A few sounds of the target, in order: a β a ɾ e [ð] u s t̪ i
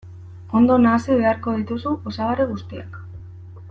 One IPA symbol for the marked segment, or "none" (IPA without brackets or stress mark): ɣ